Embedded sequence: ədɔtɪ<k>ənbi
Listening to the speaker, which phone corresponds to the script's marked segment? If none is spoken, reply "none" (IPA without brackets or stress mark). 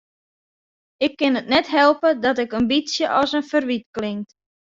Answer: k